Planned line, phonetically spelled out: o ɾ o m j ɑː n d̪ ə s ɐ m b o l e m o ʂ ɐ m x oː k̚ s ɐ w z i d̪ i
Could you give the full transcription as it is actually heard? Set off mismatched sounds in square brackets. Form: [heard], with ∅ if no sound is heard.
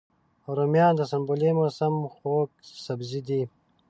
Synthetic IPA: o ɾ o m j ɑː n d̪ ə s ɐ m b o l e m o [s] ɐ m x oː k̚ s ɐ [b] z i d̪ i